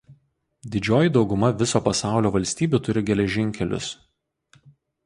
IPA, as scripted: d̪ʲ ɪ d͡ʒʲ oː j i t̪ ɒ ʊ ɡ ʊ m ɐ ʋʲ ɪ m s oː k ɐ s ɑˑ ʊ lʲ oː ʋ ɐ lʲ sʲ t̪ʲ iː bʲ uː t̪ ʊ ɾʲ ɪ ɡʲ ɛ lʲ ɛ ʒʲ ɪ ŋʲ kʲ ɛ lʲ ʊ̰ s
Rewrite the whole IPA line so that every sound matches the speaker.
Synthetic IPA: d̪ʲ ɪ d͡ʒʲ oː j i d̪ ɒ ʊ ɡ ʊ m ɐ ʋʲ ɪ s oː p ɐ s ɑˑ ʊ lʲ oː ʋ ɐ lʲ sʲ t̪ʲ iː bʲ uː t̪ ʊ ɾʲ ɪ ɡʲ ɛ lʲ ɛ ʒʲ ɪ ŋʲ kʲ ɛ lʲ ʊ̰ s